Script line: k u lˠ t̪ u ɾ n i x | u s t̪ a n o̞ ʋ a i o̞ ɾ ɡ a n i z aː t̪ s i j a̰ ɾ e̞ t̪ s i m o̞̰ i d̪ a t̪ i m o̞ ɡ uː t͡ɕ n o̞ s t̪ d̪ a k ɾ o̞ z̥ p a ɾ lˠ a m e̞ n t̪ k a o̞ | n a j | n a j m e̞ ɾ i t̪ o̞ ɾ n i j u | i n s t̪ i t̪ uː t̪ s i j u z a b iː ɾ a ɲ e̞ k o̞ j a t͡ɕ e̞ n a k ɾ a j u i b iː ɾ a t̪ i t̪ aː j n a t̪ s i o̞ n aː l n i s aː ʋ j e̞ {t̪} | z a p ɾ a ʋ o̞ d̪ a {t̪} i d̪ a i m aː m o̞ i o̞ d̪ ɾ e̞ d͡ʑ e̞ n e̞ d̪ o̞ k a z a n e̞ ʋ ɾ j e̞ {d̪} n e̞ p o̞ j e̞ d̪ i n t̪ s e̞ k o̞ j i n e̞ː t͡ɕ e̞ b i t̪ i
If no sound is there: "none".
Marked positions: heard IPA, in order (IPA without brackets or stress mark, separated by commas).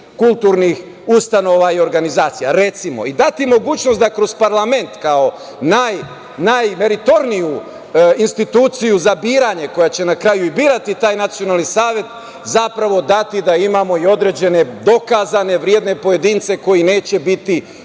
t̪, t̪, d̪